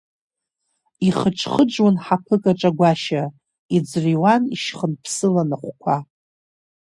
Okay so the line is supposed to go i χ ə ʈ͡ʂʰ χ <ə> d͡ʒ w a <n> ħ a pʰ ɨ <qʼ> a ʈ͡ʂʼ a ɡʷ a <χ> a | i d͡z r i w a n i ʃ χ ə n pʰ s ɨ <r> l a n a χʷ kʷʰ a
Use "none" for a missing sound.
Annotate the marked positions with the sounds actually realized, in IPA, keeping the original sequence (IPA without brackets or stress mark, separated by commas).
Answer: ə, n, kʼ, ʃ, none